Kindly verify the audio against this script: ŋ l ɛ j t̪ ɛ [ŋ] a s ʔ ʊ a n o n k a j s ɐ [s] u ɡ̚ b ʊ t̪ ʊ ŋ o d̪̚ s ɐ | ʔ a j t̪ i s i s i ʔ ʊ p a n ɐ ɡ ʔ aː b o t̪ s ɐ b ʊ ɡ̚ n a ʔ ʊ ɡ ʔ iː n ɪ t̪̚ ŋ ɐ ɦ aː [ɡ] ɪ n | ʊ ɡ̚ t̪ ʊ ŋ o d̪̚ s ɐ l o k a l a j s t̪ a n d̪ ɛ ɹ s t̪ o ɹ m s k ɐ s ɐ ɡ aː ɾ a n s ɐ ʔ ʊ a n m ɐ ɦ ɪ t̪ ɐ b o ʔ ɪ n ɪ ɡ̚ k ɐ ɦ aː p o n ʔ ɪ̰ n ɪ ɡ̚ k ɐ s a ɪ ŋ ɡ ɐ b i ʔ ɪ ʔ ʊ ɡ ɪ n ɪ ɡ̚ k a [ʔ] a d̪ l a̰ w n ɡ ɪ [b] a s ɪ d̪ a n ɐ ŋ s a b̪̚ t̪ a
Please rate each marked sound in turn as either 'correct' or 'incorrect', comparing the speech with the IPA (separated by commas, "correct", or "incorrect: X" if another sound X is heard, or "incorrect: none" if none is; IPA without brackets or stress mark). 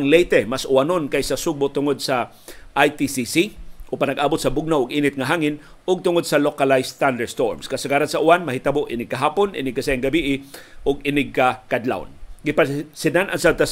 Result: incorrect: m, correct, incorrect: ŋ, incorrect: k, incorrect: p